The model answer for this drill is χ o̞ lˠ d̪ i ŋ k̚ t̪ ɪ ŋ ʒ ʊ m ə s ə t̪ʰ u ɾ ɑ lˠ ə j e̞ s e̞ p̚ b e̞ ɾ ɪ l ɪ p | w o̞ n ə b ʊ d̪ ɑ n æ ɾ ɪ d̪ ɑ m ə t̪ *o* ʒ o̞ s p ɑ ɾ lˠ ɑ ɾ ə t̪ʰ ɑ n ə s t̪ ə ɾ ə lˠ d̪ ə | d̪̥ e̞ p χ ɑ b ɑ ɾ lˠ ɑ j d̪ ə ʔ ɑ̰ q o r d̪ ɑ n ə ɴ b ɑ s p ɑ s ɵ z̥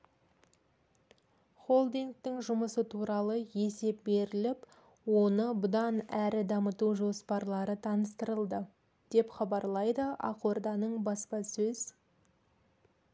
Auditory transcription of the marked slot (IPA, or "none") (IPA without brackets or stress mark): u